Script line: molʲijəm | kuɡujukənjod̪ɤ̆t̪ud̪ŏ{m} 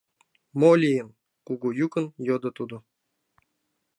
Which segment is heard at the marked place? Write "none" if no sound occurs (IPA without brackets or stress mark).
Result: none